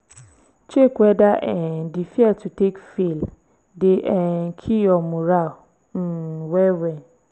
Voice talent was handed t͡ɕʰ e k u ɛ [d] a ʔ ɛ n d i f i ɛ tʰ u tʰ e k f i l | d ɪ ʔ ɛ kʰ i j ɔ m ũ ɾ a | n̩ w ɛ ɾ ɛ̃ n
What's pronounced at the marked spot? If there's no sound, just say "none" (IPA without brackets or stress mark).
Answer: d